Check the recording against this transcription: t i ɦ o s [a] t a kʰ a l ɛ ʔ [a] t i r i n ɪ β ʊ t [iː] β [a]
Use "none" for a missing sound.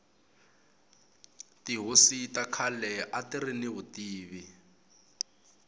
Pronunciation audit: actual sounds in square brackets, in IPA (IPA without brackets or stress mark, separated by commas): i, a, iː, i